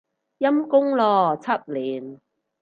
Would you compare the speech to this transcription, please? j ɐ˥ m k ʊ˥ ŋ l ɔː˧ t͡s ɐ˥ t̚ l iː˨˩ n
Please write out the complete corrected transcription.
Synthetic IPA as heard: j ɐ˥ m k ʊ˥ ŋ l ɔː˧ t͡sʰ ɐ˥ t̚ l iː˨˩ n